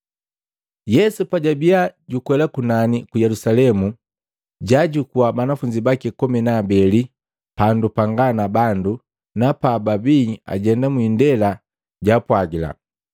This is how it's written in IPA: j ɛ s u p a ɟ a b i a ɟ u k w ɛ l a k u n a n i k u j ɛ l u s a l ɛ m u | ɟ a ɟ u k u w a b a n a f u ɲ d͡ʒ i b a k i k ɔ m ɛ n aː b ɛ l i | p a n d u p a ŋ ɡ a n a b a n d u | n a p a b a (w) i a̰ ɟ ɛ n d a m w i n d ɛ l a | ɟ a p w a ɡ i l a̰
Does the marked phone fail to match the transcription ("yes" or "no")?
yes